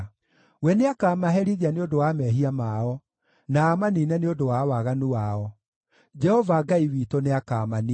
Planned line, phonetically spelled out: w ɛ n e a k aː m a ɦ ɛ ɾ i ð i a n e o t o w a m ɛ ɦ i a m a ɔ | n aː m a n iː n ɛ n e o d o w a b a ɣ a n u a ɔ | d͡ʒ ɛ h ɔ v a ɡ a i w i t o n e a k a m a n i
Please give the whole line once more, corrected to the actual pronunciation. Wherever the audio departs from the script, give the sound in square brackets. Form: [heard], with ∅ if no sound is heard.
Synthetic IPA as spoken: w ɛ n e a k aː m a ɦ ɛ ɾ i ð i a n e o [d] o w a m ɛ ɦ i a m a ɔ | n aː m a n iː n ɛ n e o d o w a [w] a ɣ a n u a ɔ | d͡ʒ ɛ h ɔ v a ɡ a i w i t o n e a k a m a n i

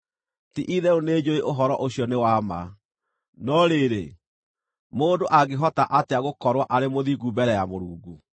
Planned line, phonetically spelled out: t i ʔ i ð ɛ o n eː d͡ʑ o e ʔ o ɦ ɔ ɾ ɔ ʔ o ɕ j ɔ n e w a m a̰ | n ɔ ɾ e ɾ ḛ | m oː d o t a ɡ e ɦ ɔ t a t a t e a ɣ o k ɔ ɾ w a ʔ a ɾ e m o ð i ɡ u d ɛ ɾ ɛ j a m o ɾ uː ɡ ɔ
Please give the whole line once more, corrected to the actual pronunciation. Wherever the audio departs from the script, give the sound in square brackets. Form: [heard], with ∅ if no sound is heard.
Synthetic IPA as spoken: t i ʔ i ð ɛ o n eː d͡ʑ o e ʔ o ɦ ɔ ɾ ɔ ʔ o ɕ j ɔ n e w a m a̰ | n ɔ ɾ e ɾ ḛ | m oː d o [ʔ] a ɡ e ɦ ɔ t a [ʔ] a t e a ɣ o k ɔ ɾ w a ʔ a ɾ e m o ð i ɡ u [b] ɛ ɾ ɛ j a m o ɾ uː ɡ [u]

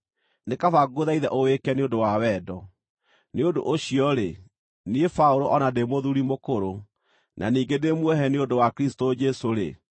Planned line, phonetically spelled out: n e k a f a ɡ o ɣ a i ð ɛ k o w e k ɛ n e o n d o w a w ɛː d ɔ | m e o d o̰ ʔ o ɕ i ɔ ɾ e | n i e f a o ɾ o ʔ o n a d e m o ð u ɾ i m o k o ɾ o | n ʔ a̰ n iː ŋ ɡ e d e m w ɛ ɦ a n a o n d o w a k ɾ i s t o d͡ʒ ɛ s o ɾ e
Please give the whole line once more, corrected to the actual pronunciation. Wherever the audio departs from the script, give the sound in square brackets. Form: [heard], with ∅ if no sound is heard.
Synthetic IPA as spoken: n e k a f a ɡ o [ð] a i ð ɛ [ʔ] o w e k ɛ n e o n d o w a w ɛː d ɔ | [n] e o d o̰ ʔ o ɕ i ɔ ɾ e | n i e f a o ɾ o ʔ [ɔ] n a d e m o ð u ɾ i m o k o ɾ o | n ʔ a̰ n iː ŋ ɡ e d e m w ɛ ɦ [ɛ] n [e] o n d o w a k ɾ i s t o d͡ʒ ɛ s o ɾ e

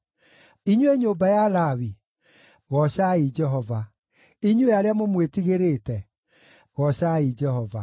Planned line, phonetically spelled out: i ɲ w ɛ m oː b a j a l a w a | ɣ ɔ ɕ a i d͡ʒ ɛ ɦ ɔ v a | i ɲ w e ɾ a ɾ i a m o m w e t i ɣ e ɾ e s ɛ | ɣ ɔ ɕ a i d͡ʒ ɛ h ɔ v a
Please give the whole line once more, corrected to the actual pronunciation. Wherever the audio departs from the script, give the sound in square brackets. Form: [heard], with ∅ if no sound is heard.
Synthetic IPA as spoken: i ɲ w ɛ [ɲ] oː b a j a l a w [i] | ɣ ɔ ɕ a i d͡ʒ ɛ ɦ ɔ v a | i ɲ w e [∅] a ɾ [e] a m o m w e t i ɣ e ɾ e [t] ɛ | ɣ ɔ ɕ a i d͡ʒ ɛ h ɔ v a

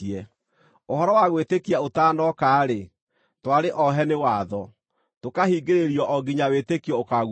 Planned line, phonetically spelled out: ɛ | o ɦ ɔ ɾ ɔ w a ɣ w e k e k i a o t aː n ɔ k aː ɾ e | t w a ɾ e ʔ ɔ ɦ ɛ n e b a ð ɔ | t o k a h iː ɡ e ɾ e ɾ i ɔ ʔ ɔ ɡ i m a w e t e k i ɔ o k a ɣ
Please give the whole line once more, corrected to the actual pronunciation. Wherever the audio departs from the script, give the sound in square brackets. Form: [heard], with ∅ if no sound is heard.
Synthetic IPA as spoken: ɛ | o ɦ ɔ ɾ ɔ w a ɣ w e [t] e k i a o t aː n ɔ k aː ɾ e | t w a ɾ e ʔ ɔ ɦ ɛ n e [w] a ð ɔ | t o k a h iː ɡ e ɾ e ɾ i ɔ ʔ ɔ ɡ i [ɲ] a w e t e k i ɔ o k a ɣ

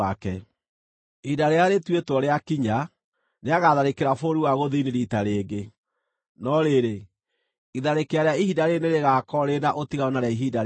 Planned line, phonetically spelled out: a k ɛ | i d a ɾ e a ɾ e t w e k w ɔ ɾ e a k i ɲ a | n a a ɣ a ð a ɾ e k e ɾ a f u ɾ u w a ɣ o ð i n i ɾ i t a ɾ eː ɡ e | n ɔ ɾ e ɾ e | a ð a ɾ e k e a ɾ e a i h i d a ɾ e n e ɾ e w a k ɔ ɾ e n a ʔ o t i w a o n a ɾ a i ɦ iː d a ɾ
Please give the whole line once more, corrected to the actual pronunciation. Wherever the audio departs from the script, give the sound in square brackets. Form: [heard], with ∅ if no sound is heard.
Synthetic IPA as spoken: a k ɛ | i d a ɾ e a ɾ e t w e [t] w ɔ ɾ e a k i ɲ a | n [e] a ɣ a ð a ɾ e k e ɾ a f [o] ɾ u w a ɣ o ð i n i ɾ i t a ɾ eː ɡ e | n ɔ ɾ e ɾ e | [i] ð a ɾ e k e a ɾ e a i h i d a ɾ e n e ɾ e [ɣ] a k ɔ ɾ e n a ʔ o t i [ɣ] a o n a ɾ a i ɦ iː d a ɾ

